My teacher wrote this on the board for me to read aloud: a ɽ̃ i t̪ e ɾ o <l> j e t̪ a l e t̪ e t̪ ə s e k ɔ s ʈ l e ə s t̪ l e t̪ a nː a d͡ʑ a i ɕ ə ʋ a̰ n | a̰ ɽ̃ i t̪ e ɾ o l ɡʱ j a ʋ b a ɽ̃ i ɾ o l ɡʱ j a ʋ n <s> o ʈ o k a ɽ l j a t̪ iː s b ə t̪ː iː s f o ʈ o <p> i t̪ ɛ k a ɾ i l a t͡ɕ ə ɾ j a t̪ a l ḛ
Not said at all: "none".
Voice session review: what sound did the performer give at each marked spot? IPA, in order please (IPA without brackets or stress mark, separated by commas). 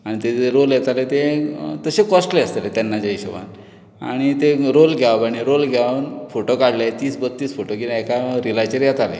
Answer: l, f, k